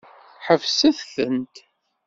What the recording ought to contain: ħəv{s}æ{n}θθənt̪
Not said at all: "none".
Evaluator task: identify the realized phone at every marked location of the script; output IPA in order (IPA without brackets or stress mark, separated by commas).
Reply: s, none